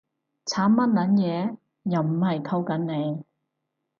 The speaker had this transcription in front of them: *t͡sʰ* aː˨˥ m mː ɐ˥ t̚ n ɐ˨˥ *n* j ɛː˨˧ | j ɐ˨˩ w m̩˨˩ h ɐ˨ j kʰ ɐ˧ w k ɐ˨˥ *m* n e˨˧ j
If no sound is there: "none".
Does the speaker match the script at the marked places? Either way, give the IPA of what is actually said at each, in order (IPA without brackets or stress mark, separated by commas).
t͡sʰ, n, n